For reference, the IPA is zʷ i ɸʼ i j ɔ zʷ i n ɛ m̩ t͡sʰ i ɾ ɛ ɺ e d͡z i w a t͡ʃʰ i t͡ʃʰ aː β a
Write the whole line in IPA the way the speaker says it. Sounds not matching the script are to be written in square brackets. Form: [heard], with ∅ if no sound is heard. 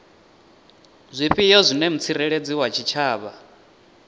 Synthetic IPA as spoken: zʷ i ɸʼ i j ɔ zʷ i n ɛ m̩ t͡sʰ i ɾ ɛ ɺ e d͡z i w a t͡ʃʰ i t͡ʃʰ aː β a